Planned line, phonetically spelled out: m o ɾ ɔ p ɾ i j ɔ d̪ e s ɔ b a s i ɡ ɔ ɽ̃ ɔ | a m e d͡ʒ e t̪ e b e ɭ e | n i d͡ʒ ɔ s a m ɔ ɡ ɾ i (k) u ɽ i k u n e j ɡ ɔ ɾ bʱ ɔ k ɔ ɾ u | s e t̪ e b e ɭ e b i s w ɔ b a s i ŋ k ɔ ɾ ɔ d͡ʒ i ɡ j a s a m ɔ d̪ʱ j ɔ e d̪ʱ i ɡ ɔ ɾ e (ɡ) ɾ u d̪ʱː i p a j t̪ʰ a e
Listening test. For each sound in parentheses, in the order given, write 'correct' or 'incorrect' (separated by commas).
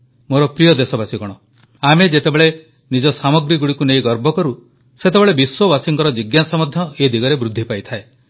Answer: incorrect, incorrect